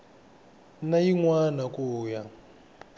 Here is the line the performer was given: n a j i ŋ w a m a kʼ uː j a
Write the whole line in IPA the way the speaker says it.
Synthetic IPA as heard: n a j i ŋ w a n a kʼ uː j a